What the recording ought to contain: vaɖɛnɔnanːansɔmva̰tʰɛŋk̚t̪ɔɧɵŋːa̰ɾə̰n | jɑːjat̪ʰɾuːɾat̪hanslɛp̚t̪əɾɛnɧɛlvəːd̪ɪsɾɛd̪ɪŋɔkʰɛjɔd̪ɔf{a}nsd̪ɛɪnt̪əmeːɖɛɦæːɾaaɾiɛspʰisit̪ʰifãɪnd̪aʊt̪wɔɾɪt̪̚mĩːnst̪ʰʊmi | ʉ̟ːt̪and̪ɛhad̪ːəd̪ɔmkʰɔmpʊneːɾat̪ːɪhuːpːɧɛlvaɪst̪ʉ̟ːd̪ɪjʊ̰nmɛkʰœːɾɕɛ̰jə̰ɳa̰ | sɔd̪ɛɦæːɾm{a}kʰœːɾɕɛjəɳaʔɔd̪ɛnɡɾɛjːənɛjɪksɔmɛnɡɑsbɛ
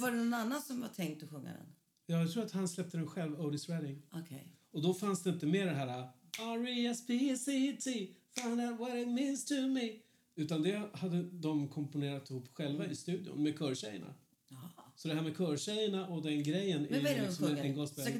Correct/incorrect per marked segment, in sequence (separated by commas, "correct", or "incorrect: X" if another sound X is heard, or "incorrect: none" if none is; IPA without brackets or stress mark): correct, incorrect: ɛ